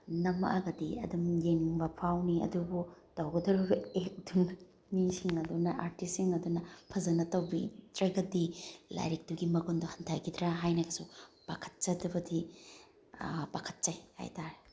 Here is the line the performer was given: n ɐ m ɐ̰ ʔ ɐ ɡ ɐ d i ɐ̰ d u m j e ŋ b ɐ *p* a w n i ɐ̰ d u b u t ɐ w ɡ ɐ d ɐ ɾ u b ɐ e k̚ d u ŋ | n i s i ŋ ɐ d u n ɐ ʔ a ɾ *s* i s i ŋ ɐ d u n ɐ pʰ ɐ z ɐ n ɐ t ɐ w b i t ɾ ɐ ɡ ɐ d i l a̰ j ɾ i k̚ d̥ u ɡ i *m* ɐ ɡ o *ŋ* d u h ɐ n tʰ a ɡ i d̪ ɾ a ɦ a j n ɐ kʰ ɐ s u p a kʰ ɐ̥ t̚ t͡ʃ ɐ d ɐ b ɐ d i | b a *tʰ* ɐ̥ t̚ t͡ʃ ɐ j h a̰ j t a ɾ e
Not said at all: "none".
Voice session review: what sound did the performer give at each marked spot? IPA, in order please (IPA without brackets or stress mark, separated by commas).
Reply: pʰ, t, m, n, kʰ